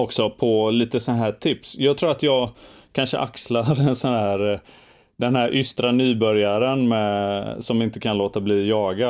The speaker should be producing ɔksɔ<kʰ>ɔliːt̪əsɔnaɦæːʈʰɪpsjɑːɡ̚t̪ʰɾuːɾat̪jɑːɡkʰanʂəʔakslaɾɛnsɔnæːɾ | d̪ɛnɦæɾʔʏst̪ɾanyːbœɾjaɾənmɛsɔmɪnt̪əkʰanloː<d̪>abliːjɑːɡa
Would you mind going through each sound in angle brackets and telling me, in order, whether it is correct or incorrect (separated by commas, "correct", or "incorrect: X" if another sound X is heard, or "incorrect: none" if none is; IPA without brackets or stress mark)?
incorrect: pʰ, incorrect: t̪